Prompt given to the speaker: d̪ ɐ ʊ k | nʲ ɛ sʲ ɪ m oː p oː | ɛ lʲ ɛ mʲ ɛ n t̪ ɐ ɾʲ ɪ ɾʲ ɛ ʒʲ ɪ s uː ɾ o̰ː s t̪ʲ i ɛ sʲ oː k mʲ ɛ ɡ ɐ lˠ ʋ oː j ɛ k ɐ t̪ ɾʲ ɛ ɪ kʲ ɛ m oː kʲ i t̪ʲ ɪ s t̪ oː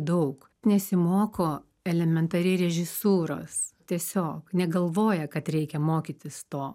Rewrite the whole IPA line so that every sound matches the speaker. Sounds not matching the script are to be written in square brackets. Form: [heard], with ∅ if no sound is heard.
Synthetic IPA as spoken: d̪ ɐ ʊ k | nʲ ɛ sʲ ɪ m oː [k] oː | ɛ lʲ ɛ mʲ ɛ n t̪ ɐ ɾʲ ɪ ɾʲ ɛ ʒʲ ɪ s uː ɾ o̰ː s t̪ʲ i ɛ sʲ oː k [nʲ] ɛ ɡ ɐ lˠ ʋ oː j ɛ k ɐ t̪ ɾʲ ɛ ɪ kʲ ɛ m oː kʲ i t̪ʲ ɪ s t̪ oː